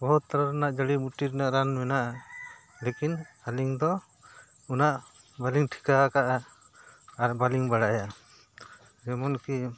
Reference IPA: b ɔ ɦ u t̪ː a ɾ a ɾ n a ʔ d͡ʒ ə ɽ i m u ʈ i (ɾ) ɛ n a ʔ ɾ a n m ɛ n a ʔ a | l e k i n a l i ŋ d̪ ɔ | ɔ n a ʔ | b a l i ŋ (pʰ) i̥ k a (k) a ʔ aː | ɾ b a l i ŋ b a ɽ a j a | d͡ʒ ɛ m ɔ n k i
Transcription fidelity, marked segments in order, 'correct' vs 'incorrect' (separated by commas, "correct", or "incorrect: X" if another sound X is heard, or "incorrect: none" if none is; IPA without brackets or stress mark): correct, incorrect: ʈʰ, correct